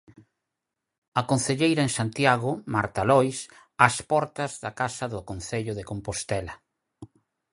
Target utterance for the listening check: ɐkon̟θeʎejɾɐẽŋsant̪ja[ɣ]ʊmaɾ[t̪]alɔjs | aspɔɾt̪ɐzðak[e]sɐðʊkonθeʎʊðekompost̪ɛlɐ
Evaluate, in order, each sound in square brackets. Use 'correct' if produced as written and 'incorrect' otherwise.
correct, correct, incorrect

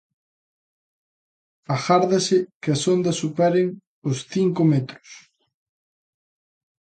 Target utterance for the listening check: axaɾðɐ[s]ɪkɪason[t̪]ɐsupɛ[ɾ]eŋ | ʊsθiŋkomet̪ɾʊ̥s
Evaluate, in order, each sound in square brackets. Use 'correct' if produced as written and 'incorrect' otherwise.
correct, incorrect, correct

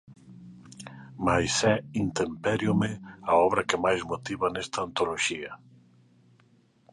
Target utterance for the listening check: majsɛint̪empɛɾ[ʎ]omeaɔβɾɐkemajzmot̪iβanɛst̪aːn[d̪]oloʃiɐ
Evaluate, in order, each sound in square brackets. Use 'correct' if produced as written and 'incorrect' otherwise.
incorrect, incorrect

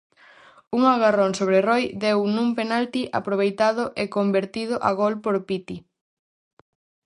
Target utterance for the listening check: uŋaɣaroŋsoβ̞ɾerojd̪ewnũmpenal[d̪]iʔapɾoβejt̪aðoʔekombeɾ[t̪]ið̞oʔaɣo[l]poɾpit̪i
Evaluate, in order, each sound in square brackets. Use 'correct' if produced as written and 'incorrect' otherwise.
incorrect, correct, correct

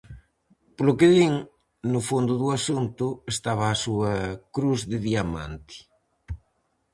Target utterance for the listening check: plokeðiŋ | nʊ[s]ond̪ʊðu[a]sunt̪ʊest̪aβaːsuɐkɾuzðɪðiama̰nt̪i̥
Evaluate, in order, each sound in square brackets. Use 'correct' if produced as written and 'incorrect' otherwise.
incorrect, correct

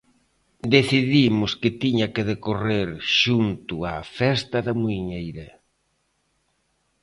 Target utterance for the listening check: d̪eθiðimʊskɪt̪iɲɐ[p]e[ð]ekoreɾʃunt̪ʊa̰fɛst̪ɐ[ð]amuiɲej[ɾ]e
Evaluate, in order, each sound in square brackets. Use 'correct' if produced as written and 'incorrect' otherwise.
incorrect, correct, correct, correct

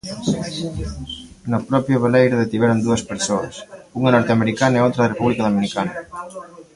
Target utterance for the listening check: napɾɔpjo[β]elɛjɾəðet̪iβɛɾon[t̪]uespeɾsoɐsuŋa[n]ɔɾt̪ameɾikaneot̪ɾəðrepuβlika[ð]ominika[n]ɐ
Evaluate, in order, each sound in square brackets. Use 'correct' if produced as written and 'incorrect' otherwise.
correct, incorrect, correct, correct, correct

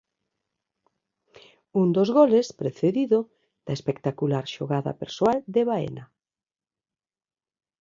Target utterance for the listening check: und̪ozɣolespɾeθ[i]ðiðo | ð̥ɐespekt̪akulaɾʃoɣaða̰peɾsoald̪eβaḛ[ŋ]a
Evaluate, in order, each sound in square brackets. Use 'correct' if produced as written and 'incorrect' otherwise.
incorrect, incorrect

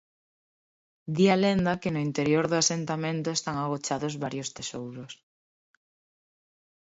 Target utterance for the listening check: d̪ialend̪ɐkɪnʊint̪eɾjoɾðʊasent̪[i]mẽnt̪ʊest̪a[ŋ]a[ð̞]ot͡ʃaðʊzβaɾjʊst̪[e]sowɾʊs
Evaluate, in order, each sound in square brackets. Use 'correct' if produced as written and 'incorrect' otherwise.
incorrect, correct, incorrect, correct

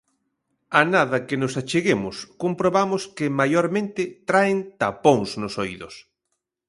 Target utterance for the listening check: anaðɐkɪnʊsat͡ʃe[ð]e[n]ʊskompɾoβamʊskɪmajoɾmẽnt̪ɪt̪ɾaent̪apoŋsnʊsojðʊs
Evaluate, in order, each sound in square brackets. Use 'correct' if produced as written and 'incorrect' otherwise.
incorrect, incorrect

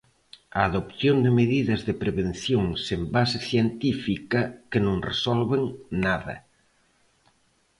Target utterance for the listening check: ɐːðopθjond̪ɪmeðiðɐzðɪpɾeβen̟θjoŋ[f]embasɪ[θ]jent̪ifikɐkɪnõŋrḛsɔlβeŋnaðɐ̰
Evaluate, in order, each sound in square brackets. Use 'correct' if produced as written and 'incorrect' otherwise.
incorrect, correct

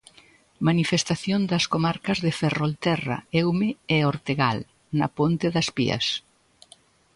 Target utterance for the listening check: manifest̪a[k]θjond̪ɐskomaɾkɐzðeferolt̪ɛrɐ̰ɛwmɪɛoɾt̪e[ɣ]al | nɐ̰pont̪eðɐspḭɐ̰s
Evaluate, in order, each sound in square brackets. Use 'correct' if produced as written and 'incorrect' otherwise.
incorrect, correct

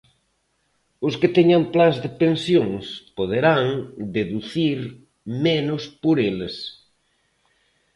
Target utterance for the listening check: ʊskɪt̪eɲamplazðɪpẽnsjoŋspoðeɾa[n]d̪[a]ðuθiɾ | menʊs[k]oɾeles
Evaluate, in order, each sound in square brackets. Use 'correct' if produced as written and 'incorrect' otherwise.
incorrect, incorrect, incorrect

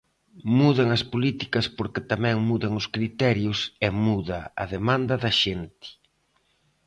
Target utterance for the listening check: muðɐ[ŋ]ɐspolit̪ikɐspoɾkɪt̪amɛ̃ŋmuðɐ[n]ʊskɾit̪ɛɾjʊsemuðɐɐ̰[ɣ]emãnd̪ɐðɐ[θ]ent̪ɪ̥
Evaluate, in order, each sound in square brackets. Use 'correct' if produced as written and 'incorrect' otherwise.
correct, incorrect, incorrect, incorrect

